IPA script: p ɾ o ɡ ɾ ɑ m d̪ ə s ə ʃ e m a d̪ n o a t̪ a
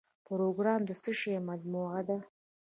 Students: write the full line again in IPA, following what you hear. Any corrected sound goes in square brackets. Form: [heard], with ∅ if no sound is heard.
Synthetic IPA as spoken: p ɾ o ɡ ɾ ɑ m d̪ ə s ə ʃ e m a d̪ [m] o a [d̪] a